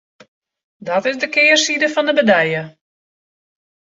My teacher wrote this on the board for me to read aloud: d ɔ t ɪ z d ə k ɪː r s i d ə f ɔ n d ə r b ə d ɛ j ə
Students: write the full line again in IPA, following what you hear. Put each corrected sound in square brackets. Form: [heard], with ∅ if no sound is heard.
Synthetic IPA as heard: d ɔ t ɪ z d ə k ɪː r s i d ə f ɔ n d ə [∅] b ə d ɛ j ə